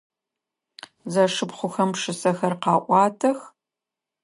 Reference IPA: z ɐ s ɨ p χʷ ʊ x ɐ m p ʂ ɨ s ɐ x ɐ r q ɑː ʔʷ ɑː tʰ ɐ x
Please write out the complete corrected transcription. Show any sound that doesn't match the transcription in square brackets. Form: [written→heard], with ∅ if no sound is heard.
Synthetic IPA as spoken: z ɐ [s→ʂ] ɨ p χʷ ʊ x ɐ m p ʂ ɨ s ɐ x ɐ r q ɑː ʔʷ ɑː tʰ ɐ x